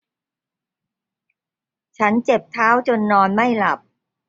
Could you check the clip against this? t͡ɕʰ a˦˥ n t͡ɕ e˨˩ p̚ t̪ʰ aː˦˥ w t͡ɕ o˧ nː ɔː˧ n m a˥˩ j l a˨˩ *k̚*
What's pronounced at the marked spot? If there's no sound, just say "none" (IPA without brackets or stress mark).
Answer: p̚